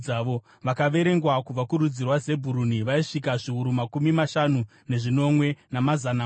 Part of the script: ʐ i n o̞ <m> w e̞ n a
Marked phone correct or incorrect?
correct